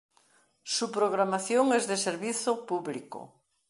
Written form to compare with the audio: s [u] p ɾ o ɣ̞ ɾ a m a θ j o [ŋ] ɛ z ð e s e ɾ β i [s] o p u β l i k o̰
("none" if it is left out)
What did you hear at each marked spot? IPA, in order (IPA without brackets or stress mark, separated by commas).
u, ŋ, θ